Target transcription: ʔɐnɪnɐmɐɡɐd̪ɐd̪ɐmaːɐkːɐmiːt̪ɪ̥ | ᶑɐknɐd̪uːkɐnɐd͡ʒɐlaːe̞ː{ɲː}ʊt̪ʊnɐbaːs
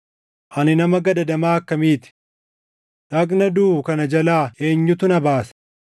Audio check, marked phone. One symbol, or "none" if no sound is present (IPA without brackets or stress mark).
ɲː